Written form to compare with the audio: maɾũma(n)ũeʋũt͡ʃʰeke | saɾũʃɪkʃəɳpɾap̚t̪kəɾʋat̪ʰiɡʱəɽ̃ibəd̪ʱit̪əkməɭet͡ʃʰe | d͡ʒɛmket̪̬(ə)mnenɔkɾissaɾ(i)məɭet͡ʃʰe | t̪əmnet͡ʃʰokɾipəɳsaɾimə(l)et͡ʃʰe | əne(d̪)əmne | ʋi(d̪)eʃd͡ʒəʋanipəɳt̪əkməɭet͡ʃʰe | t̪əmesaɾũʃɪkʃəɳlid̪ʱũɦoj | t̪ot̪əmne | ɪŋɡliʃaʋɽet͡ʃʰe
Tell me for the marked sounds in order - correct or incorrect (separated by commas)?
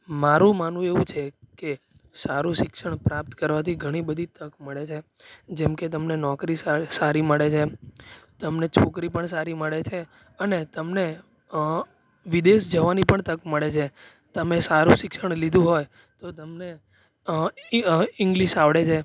correct, correct, correct, incorrect, incorrect, correct